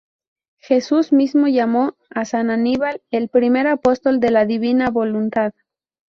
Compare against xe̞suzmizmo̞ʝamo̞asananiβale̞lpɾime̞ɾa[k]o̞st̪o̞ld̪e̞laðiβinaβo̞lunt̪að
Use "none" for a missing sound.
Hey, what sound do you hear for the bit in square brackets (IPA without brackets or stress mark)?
p